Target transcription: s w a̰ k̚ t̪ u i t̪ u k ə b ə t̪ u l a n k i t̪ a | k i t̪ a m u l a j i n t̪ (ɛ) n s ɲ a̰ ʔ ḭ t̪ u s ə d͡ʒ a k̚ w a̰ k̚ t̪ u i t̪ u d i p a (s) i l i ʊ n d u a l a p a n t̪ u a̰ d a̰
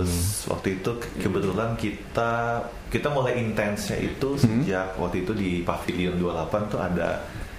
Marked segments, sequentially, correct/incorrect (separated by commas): correct, incorrect